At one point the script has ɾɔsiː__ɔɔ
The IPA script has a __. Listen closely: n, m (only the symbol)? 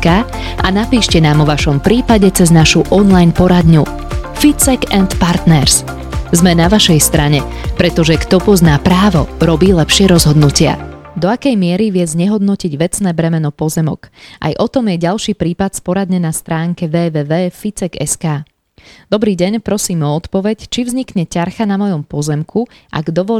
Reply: m